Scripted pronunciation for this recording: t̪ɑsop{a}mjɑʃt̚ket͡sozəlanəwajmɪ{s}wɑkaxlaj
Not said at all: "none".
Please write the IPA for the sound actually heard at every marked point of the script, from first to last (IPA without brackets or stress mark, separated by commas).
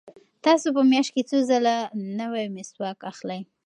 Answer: ə, s